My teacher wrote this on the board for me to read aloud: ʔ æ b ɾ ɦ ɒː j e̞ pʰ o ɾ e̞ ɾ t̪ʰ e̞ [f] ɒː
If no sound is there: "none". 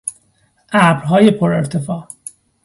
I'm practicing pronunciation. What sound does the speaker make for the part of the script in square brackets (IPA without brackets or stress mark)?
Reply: f